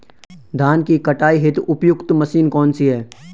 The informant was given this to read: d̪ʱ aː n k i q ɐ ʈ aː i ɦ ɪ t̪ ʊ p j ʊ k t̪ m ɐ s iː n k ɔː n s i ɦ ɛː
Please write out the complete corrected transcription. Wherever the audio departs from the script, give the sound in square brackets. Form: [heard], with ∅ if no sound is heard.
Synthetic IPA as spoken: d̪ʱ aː n k i [k] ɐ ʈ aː i ɦ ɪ t̪ ʊ p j ʊ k t̪ m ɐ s iː n k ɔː n s i ɦ ɛː